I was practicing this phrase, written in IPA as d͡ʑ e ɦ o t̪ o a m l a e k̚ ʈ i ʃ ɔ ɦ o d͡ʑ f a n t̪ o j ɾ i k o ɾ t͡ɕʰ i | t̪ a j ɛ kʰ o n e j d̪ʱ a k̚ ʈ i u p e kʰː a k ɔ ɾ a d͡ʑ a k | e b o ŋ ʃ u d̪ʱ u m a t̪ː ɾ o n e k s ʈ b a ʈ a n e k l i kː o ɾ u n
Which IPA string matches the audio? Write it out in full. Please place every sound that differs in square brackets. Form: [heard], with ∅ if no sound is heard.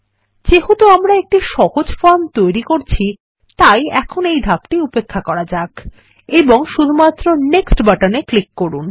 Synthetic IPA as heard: d͡ʑ e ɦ o t̪ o a m [ɾ] a e k̚ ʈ i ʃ ɔ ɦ o d͡ʑ f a n t̪ o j ɾ i k o ɾ t͡ɕʰ i | t̪ a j ɛ kʰ o n e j d̪ʱ a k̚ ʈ i u p e kʰː a k ɔ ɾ a d͡ʑ a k | e b o ŋ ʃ u d̪ʱ u m a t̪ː ɾ o n e k s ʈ b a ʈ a n e k l i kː o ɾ u n